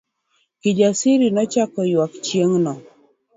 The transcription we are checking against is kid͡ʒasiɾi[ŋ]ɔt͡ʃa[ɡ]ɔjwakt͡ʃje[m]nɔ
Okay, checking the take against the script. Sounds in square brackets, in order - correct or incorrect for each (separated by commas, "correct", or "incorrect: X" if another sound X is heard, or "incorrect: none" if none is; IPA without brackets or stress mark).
incorrect: n, incorrect: k, incorrect: ŋ